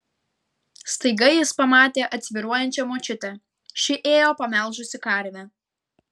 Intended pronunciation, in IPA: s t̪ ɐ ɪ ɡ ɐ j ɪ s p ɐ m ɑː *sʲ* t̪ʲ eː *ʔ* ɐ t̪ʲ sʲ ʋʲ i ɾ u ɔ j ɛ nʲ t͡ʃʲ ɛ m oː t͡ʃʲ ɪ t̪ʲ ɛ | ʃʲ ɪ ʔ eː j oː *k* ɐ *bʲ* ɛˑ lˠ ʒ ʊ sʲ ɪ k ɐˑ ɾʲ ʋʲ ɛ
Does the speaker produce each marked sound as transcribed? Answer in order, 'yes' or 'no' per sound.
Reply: no, yes, no, no

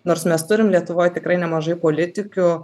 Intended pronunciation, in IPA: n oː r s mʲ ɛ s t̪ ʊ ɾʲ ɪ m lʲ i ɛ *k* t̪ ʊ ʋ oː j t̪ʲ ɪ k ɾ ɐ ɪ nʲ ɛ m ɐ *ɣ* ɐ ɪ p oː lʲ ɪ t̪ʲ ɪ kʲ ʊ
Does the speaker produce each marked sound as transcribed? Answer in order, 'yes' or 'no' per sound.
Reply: no, no

